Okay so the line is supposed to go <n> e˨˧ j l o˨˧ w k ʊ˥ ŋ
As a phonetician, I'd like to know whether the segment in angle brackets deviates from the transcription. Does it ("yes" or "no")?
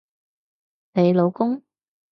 no